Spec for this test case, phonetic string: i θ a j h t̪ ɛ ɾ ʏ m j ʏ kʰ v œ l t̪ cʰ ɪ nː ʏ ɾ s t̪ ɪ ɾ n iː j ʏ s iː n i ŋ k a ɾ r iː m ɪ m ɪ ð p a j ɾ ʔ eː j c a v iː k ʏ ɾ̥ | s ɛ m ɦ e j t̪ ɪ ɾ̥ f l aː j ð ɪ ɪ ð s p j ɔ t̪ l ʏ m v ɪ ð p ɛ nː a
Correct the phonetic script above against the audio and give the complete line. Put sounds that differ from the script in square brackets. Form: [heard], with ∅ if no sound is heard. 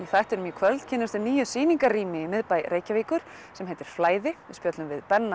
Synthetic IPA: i θ a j h t̪ ɛ ɾ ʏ m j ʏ kʰ v œ l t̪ cʰ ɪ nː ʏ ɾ s t̪ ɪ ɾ n iː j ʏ s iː n i ŋ k a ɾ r iː m ɪ m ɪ ð p a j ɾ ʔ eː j c a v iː k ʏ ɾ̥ | s ɛ m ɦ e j t̪ ɪ ɾ̥ f l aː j ð ɪ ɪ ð s p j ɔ t̪ l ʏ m v ɪ ð p ɛ nː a